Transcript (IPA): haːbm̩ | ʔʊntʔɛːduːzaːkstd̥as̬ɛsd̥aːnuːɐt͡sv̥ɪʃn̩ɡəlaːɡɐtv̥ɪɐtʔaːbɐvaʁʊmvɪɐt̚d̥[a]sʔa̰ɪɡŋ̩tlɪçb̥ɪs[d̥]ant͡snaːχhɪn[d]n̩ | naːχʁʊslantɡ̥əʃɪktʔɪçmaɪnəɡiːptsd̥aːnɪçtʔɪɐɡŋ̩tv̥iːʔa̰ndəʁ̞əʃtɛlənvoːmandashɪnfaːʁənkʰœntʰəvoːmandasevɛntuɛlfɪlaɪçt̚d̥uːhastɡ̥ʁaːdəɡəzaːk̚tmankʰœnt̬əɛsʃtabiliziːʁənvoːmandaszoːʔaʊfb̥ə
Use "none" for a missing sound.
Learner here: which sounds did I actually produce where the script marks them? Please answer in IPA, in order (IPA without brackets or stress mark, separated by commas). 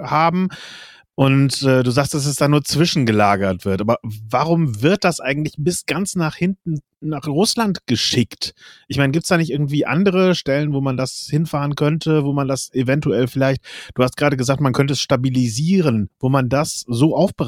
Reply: a, ɡ̥, t